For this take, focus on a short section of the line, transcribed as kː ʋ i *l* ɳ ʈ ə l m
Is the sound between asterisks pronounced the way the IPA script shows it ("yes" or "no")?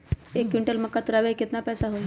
no